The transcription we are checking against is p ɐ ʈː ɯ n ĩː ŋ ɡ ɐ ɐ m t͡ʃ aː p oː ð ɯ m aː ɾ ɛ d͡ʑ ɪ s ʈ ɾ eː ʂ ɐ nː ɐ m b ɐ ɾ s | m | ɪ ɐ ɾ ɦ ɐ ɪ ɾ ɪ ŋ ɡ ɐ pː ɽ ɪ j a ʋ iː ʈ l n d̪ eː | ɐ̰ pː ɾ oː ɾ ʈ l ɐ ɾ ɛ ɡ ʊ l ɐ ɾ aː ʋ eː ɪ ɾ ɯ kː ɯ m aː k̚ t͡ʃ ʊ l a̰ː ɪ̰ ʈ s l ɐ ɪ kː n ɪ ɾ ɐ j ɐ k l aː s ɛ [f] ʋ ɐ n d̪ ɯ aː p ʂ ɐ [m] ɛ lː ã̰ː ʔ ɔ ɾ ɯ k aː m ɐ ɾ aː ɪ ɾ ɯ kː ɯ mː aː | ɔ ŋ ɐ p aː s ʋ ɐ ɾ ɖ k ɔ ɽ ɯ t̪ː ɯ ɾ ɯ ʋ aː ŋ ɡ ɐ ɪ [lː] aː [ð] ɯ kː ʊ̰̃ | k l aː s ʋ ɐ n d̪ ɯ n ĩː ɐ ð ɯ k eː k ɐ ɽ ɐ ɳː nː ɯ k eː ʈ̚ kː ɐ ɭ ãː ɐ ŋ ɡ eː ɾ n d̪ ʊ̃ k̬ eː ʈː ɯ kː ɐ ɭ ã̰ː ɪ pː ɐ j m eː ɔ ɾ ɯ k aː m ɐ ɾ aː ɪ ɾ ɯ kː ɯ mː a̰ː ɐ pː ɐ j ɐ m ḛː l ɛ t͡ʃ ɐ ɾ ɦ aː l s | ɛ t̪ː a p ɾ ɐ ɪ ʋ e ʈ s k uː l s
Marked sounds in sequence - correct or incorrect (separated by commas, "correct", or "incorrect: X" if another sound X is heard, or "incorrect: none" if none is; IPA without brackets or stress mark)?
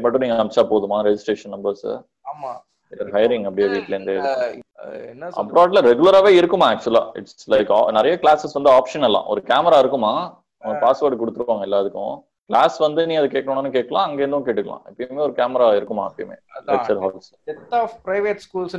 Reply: incorrect: s, incorrect: n, correct, correct